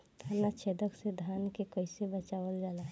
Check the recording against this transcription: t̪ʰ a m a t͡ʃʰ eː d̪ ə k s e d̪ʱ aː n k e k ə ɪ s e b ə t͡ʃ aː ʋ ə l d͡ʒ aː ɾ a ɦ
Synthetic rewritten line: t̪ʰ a n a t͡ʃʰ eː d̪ ə k s e d̪ʱ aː n k e k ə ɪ s e b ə t͡ʃ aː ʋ ə l d͡ʒ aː l a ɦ

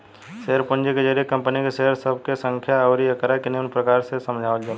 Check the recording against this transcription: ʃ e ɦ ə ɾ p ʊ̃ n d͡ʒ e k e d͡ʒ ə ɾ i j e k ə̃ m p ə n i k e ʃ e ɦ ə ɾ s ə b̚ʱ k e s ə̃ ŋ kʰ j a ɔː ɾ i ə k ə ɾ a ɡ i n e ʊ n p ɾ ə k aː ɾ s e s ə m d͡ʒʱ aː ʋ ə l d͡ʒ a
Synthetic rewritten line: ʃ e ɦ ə ɾ p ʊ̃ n d͡ʒ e k e d͡ʒ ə ɾ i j e k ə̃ m p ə n i k e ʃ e ɦ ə ɾ s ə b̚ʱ k e s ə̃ ŋ kʰ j a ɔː ɾ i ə k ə ɾ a k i n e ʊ n p ɾ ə k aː ɾ s e s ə m d͡ʒʱ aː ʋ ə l d͡ʒ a

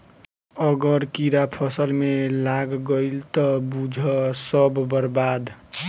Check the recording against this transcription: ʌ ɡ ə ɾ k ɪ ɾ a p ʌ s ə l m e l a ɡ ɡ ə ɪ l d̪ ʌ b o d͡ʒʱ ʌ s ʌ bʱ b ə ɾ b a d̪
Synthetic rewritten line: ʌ ɡ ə ɾ k i ɾ a pʰ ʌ s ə l m e l a ɡ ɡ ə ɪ l t̪ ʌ b u d͡ʒʱ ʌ s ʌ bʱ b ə ɾ b a d̪

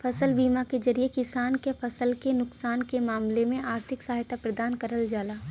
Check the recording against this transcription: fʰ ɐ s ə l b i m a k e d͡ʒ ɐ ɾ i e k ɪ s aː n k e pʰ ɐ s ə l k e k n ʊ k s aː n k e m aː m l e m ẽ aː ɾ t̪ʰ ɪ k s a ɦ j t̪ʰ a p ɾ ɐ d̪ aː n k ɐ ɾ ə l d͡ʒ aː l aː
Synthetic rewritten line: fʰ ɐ s ə l b iː m a k e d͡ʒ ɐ ɾ i e k ɪ s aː n k e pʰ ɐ s ə l k e n ʊ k s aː n k e m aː m l e m ẽ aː ɾ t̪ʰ ɪ k s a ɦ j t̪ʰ a p ɾ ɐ d̪ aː n k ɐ ɾ ə l d͡ʒ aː l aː

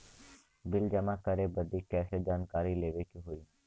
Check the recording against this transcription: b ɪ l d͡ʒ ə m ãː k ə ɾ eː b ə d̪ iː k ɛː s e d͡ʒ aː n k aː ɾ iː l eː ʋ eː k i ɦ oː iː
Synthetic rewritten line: b ɪ l d͡ʒ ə m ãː k ə ɾ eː b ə d̪ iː k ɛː s e d͡ʒ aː n k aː ɾ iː l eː ʋ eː k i ɦ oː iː

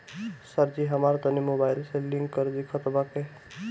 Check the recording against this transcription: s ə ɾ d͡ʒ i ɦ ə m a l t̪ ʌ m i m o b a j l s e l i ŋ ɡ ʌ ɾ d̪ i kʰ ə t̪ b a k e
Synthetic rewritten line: s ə ɾ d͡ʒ i ɦ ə m a ɾ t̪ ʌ n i m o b a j l s e l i ŋ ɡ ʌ ɾ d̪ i kʰ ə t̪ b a k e

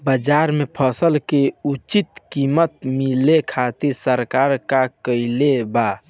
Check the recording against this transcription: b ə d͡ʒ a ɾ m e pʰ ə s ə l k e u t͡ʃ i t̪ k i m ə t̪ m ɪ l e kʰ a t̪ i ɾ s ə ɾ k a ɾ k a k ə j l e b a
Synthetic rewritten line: b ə d͡ʒ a ɾ m e pʰ ə s ə l k e u t͡ʃ i t̪ k i m ə t̪ m i l e kʰ a t̪ i ɾ s ə ɾ k a ɾ k a k ə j l e b a

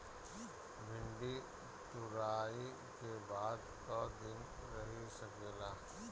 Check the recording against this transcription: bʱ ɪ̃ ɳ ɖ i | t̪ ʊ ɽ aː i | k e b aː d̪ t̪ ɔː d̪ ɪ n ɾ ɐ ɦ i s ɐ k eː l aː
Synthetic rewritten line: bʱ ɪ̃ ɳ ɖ i | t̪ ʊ ɾ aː i | k e b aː d̪ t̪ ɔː d̪ ɪ n ɾ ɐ ɦ i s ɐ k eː l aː

